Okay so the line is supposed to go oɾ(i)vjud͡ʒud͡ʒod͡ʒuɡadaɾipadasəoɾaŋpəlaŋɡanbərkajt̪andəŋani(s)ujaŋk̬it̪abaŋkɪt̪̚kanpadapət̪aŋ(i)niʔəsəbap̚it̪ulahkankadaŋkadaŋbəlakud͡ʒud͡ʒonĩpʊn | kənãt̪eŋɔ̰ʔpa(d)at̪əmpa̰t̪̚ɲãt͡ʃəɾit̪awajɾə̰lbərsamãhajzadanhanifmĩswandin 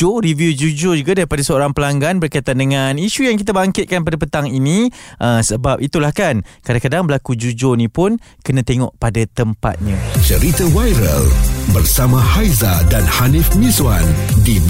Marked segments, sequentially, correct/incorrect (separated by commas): correct, incorrect, correct, correct